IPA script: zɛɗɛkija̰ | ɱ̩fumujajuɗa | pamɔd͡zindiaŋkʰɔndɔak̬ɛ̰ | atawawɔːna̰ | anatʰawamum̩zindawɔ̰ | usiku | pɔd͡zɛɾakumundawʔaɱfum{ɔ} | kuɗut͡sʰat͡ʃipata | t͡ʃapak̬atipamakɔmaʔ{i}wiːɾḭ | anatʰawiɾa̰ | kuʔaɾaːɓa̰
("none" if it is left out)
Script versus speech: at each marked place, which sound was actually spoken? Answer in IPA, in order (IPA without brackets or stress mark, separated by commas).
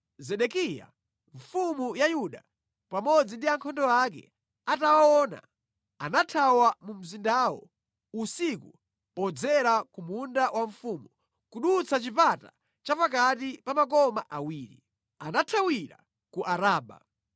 u, a